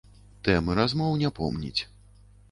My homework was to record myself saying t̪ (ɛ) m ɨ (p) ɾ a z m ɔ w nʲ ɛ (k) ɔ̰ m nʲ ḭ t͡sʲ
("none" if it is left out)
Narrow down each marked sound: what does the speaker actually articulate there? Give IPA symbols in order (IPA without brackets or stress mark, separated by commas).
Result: ɛ, none, p